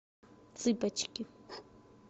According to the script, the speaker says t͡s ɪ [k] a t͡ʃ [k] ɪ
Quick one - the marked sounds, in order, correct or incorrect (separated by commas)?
incorrect, correct